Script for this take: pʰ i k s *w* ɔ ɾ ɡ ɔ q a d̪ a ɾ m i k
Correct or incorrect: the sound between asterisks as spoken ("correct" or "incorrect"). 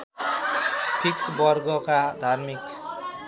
incorrect